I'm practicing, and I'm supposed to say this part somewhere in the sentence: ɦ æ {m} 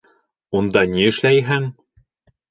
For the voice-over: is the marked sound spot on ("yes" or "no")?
no